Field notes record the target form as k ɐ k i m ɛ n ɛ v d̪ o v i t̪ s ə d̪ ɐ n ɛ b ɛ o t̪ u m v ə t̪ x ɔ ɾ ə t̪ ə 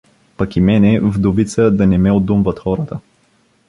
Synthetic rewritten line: p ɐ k i m ɛ n ɛ v d̪ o v i t̪ s ə d̪ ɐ n ɛ m ɛ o d̪ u m v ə t̪ x ɔ ɾ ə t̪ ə